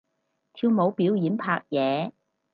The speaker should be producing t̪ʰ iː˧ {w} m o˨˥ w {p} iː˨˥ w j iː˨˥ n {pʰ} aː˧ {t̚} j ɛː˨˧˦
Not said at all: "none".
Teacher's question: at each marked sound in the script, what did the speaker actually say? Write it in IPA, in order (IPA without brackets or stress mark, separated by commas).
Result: w, p, pʰ, k̚